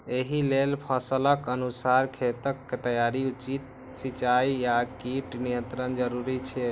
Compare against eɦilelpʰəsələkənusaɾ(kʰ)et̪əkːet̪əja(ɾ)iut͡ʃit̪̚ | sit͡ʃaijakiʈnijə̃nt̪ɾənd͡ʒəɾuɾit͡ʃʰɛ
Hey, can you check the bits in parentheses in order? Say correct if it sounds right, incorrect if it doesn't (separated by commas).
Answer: correct, correct